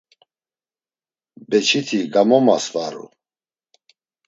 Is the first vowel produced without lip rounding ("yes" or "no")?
yes